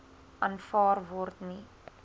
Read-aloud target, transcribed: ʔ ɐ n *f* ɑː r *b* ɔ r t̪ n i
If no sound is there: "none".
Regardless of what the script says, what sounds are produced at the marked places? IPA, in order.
f, v

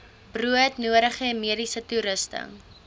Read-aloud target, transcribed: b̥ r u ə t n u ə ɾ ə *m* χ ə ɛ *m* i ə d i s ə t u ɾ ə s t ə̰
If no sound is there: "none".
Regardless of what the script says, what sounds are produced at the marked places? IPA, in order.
none, m

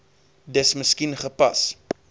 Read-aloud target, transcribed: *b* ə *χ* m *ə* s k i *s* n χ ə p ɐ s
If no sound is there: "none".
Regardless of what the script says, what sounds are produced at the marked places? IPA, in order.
d, s, ə, none

